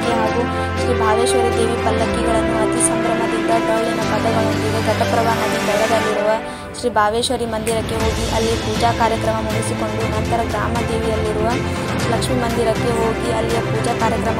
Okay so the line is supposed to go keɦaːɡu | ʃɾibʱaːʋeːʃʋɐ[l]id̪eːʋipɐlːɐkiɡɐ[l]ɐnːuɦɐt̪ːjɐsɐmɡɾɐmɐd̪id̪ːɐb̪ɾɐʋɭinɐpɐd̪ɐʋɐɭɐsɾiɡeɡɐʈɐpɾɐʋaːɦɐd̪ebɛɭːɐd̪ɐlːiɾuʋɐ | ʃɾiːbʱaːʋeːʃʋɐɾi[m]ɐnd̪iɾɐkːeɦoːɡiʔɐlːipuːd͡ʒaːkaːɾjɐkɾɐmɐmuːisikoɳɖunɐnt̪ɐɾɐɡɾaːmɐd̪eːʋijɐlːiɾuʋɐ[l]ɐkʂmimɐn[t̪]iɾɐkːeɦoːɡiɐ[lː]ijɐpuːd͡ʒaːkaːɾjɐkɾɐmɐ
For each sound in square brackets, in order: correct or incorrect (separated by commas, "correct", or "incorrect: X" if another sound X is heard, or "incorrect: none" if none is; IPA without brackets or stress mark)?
incorrect: ɾ, incorrect: ɭ, correct, correct, incorrect: d̪, correct